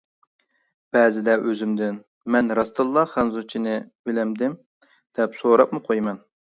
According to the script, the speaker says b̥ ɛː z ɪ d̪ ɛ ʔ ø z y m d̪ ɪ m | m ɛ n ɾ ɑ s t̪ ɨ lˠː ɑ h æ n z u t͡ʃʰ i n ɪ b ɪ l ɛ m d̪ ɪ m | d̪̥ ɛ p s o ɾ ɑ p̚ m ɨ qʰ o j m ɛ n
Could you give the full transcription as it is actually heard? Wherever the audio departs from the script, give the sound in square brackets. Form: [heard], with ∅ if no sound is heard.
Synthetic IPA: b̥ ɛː z ɪ d̪ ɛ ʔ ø z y m d̪ ɪ [n] | m ɛ n ɾ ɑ s t̪ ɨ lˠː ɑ [χ] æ n z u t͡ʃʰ i n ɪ b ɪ l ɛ m d̪ ɪ m | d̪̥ ɛ p s o ɾ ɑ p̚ m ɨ qʰ o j m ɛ n